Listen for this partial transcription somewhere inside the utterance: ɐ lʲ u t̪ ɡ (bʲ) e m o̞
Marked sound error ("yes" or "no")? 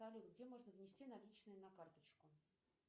yes